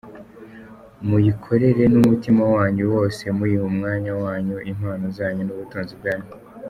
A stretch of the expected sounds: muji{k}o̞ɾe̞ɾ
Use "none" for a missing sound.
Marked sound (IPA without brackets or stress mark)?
kʰ